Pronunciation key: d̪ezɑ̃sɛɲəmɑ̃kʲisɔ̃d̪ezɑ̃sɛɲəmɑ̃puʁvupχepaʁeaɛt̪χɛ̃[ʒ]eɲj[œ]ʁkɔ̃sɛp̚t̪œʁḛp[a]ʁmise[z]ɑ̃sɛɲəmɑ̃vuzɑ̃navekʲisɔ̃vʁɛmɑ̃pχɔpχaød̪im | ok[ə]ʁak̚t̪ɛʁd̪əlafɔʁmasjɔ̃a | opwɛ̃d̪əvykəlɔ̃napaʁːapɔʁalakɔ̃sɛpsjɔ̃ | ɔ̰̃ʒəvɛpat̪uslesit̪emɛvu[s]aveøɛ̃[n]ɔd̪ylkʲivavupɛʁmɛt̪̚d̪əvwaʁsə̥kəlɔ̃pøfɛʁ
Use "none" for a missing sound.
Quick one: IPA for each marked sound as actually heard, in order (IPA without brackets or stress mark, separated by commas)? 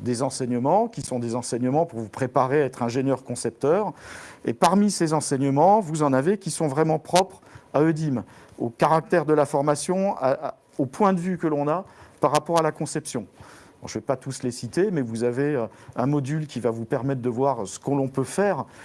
ʒ, œ, a, z, a, z, m